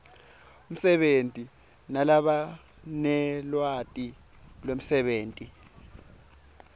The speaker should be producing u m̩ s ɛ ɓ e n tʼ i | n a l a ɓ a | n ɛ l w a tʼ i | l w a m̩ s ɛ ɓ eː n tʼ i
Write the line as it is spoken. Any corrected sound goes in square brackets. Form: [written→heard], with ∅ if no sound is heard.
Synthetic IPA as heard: u m̩ s ɛ ɓ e n tʼ i | n a l a ɓ a | n ɛ l w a tʼ i | l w [a→e] m̩ s ɛ ɓ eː n tʼ i

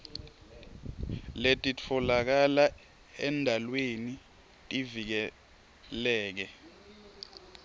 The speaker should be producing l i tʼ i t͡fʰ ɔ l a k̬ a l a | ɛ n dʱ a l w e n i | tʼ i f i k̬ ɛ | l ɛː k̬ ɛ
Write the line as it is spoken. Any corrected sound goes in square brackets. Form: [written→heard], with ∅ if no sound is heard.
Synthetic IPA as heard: l [i→e] tʼ i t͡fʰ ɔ l a k̬ a l a | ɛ n dʱ a l w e n i | tʼ i [f→v] i k̬ ɛ | l ɛː k̬ ɛ

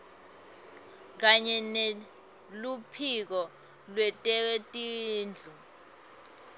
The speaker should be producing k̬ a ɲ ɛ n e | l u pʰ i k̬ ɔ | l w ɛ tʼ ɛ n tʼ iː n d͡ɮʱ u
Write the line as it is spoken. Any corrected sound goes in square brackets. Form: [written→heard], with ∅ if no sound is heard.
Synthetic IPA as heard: k̬ a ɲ ɛ n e | l u pʰ i k̬ ɔ | l w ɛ tʼ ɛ [n→∅] tʼ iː n d͡ɮʱ u

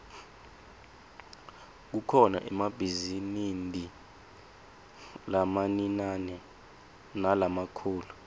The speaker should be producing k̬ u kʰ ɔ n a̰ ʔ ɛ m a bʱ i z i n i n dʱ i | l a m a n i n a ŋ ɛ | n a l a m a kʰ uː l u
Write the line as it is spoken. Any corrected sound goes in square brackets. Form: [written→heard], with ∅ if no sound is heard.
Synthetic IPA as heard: k̬ u kʰ ɔ n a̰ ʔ ɛ m a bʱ i z i n i n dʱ i | l a m a n i n a [ŋ→n] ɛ | n a l a m a kʰ uː l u

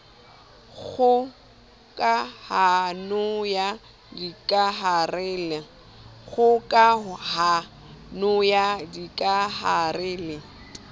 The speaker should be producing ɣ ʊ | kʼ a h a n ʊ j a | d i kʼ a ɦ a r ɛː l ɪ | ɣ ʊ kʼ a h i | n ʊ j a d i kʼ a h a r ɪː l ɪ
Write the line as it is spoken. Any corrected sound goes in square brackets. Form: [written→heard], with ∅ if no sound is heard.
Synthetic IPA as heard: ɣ ʊ | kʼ a h a n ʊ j a | d i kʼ a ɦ a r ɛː l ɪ | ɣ ʊ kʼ a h [i→a] | n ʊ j a d i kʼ a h a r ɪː l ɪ

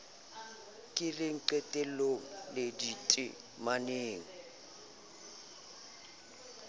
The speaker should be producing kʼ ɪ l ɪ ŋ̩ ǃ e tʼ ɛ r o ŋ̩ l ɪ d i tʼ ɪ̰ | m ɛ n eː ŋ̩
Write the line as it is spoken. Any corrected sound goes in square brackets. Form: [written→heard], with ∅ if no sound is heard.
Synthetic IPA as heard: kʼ ɪ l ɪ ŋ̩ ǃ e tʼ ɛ [r→l] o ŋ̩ l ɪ d i tʼ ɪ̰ | m [ɛ→a] n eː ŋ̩

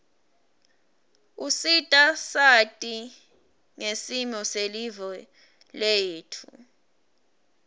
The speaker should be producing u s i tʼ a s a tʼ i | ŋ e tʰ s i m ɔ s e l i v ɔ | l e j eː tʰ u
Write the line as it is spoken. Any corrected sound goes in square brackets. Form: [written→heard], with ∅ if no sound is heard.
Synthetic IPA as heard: u s i tʼ a s a tʼ i | ŋ e [tʰ→∅] s i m ɔ s e l i v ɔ | l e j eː tʰ u

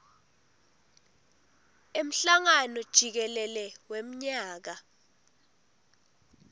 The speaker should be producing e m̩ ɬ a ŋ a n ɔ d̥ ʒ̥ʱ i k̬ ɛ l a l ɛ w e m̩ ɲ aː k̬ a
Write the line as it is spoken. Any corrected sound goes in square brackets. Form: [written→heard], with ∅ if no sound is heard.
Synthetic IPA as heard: e m̩ ɬ a ŋ a n ɔ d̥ ʒ̥ʱ i k̬ ɛ l [a→ɛ] l ɛ w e m̩ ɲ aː k̬ a

